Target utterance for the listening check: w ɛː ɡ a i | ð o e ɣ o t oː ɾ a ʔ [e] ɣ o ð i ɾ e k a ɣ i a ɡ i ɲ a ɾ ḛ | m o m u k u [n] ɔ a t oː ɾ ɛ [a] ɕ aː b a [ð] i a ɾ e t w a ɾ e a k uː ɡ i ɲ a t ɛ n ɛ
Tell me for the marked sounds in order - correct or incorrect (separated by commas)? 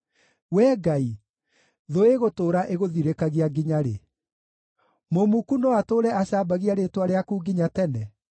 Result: correct, correct, correct, incorrect